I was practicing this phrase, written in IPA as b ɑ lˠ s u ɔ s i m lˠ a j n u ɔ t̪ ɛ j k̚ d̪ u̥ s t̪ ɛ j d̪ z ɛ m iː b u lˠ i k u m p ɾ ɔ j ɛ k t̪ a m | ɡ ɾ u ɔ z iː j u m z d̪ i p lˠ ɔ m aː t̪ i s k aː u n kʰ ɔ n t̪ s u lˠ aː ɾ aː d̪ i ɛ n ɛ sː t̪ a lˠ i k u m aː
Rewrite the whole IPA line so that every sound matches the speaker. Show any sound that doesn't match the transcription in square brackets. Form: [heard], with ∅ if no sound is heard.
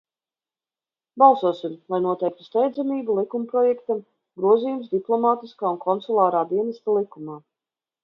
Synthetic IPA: b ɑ lˠ s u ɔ s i m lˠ a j n u ɔ t̪ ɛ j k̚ [t̪] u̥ s t̪ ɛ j d̪ z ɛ m iː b u lˠ i k u m p ɾ ɔ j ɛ k t̪ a m | ɡ ɾ u ɔ z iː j u m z d̪ i p lˠ ɔ m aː t̪ i s k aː u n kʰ ɔ n t̪ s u lˠ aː ɾ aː d̪ i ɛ n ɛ [s] t̪ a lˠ i k u m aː